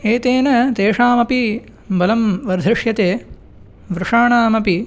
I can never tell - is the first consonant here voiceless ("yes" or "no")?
yes